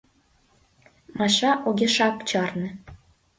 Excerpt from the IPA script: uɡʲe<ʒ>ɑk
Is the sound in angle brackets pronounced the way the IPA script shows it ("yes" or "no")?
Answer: no